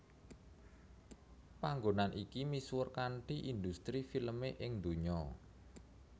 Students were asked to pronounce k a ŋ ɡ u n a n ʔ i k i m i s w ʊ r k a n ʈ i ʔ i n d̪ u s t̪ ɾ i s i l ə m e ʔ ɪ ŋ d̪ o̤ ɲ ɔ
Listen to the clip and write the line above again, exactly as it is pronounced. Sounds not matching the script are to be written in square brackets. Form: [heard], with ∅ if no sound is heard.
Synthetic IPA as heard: [p] a ŋ ɡ [o] n a n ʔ i k i m i s w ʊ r k a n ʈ i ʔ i n d̪ u s t̪ ɾ i [f] i l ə m e ʔ ɪ ŋ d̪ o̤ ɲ ɔ